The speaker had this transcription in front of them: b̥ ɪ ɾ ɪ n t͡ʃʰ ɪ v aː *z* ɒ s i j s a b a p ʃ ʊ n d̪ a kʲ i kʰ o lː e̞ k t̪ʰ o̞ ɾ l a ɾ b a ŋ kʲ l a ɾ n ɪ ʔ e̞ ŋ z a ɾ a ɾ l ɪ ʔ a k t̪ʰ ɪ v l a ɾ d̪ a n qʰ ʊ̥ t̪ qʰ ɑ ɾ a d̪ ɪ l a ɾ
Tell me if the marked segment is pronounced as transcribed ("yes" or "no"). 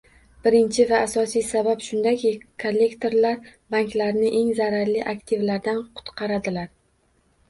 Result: no